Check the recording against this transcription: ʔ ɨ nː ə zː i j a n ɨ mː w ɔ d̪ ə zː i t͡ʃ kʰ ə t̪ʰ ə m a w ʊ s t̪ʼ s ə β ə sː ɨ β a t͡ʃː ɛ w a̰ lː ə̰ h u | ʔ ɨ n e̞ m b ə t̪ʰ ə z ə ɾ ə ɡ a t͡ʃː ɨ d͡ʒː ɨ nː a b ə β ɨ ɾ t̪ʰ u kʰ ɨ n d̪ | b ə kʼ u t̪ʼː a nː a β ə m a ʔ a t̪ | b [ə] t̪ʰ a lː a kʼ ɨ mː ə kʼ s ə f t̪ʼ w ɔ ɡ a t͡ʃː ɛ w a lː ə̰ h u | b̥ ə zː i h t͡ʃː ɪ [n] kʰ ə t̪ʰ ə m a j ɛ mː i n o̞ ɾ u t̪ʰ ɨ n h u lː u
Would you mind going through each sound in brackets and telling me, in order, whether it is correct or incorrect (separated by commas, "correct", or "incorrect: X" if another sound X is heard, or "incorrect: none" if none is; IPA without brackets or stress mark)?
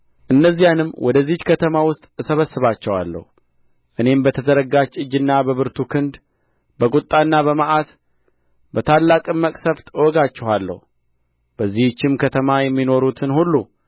correct, incorrect: m